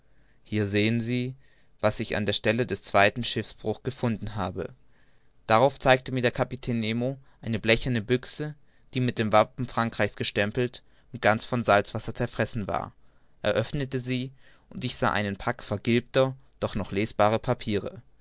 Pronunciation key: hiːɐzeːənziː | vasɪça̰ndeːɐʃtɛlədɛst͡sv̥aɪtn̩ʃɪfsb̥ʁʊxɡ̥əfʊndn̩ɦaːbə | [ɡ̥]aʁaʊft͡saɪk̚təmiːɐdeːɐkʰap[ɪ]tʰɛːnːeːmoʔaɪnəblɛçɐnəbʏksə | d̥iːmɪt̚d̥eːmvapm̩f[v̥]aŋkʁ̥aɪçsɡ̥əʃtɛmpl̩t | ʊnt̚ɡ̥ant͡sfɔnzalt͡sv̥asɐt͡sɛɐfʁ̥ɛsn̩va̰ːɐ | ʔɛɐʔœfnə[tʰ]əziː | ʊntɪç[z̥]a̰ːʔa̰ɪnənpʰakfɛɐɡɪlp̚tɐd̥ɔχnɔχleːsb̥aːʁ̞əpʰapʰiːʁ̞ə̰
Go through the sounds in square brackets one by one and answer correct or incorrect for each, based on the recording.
incorrect, incorrect, incorrect, incorrect, correct

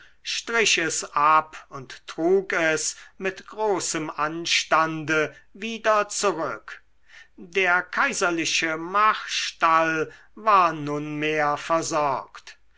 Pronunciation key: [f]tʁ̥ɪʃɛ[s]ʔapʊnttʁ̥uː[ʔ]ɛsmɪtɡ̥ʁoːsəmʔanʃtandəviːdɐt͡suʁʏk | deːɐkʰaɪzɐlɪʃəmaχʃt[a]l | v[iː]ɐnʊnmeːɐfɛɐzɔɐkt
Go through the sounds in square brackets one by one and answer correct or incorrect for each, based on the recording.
incorrect, correct, incorrect, correct, incorrect

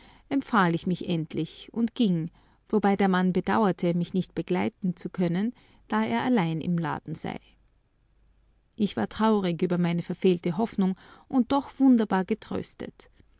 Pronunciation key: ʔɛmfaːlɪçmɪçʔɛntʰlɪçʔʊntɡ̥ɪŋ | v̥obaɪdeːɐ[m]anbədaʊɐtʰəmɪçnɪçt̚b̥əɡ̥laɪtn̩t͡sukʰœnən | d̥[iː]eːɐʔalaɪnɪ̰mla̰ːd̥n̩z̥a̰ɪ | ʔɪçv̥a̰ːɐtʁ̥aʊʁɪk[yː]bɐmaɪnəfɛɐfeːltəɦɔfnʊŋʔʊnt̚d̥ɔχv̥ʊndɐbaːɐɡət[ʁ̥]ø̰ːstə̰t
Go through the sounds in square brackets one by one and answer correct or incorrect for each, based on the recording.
correct, incorrect, correct, correct

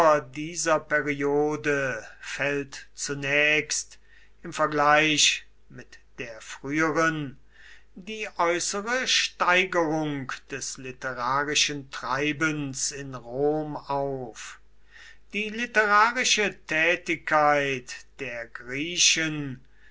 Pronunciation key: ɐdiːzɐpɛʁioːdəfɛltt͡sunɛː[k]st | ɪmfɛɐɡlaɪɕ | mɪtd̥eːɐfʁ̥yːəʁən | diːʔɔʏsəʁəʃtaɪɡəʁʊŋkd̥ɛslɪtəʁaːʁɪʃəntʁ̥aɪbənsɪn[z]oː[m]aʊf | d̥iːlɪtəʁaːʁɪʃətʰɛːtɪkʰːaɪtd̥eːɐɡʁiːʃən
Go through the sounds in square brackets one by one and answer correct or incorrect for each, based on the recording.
correct, incorrect, correct

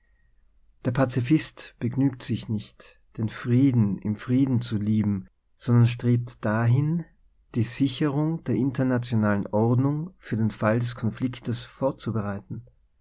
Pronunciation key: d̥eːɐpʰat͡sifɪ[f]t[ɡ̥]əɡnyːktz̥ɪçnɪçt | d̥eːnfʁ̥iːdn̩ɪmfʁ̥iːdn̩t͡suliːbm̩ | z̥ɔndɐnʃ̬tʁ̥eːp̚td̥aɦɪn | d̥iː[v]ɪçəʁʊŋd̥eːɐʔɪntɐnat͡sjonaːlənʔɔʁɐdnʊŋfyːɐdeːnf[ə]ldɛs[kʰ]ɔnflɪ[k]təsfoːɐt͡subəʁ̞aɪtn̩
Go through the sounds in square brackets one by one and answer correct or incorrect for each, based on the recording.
incorrect, incorrect, incorrect, incorrect, correct, correct

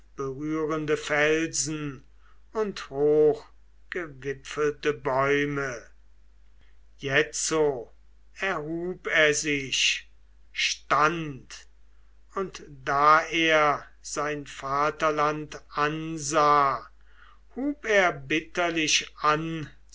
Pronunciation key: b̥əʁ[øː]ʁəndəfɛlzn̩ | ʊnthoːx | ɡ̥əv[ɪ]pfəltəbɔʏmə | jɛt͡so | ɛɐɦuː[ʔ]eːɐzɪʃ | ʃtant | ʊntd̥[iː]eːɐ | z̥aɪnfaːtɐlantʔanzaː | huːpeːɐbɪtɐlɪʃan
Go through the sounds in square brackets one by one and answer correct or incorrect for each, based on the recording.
incorrect, correct, incorrect, incorrect

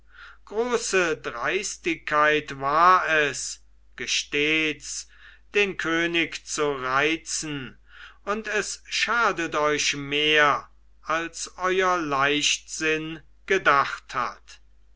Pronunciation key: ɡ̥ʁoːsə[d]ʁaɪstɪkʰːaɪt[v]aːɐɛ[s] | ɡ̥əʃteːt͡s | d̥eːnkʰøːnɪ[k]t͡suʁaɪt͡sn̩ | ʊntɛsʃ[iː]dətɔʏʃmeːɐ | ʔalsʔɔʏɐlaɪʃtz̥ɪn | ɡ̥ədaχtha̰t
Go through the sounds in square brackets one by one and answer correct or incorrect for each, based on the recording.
correct, correct, correct, correct, incorrect

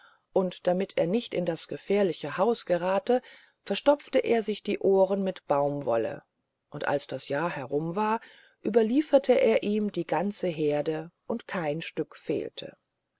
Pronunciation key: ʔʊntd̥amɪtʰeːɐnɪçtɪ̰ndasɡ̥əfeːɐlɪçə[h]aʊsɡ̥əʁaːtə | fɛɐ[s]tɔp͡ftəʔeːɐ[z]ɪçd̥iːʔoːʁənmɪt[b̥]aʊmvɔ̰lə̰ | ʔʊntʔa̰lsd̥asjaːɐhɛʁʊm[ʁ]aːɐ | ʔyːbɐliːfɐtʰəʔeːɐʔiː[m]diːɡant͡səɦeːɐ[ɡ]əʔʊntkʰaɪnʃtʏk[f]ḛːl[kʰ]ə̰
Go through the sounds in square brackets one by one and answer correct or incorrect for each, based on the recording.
correct, incorrect, correct, correct, incorrect, correct, incorrect, correct, incorrect

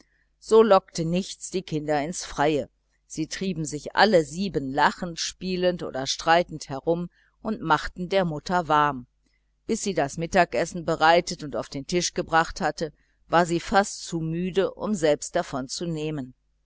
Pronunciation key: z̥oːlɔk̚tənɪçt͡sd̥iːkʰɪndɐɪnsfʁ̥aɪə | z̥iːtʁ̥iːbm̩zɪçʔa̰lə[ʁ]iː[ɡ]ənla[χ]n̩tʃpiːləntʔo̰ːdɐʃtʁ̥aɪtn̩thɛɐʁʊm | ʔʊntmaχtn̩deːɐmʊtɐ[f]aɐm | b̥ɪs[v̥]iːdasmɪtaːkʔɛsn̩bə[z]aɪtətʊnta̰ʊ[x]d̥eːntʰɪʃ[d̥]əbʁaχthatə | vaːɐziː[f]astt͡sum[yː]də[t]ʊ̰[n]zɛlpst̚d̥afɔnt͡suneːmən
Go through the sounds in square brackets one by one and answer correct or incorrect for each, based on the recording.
incorrect, incorrect, correct, incorrect, incorrect, incorrect, incorrect, incorrect, correct, correct, incorrect, incorrect

